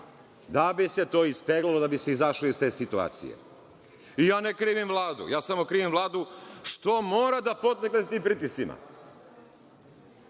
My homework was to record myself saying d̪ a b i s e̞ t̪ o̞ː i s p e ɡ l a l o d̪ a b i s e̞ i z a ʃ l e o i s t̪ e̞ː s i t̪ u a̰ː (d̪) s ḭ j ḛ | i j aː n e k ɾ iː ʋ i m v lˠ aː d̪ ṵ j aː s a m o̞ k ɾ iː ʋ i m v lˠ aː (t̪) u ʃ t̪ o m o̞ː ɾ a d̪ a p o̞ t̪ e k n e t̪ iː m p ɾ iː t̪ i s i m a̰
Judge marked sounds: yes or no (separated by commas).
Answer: no, no